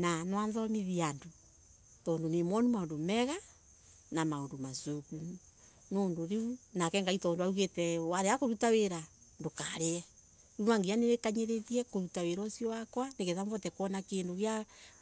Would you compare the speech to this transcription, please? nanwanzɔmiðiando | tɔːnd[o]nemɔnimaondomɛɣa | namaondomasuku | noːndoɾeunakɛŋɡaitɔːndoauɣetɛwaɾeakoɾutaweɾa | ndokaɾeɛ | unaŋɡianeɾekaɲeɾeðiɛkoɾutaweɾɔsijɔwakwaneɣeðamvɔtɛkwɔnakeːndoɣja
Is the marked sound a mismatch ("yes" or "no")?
no